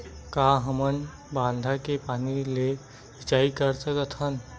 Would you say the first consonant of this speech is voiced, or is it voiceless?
voiceless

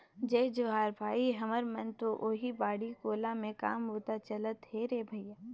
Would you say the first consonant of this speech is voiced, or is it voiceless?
voiced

